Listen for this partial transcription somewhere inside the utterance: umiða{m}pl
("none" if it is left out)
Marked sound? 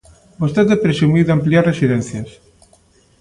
m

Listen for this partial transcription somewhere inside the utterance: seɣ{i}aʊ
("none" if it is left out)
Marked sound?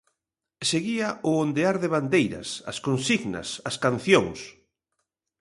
i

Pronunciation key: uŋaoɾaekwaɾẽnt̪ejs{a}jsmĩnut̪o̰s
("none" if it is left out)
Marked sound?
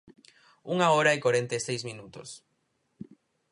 e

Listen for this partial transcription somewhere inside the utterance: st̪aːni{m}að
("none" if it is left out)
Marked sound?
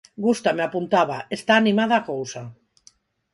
m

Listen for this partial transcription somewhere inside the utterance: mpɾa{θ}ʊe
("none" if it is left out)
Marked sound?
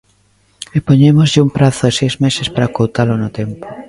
θ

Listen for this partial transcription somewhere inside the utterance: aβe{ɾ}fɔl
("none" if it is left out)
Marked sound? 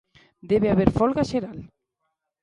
ɾ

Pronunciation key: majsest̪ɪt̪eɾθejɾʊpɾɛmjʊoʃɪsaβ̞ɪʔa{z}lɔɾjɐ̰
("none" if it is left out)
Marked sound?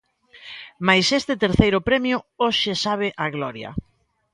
ɣ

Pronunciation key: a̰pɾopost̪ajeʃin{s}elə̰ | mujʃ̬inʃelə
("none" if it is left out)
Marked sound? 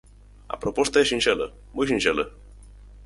ʃ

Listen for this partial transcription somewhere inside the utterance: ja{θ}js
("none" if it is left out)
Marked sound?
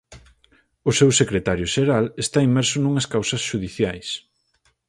none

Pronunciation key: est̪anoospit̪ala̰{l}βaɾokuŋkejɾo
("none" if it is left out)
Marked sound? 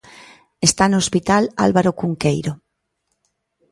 l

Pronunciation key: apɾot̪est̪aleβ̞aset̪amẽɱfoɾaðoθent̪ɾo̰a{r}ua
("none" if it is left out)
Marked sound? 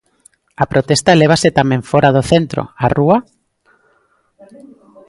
r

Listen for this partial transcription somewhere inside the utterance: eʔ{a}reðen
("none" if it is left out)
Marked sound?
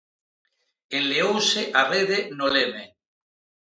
a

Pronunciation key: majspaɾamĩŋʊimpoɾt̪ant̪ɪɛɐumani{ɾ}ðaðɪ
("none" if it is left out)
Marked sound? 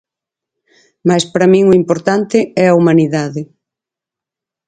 none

